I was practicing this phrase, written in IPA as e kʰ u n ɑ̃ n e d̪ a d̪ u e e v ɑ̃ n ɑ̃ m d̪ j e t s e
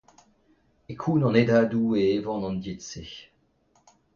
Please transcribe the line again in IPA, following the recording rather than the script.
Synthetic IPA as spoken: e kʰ u n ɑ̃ n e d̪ a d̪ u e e v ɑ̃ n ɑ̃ n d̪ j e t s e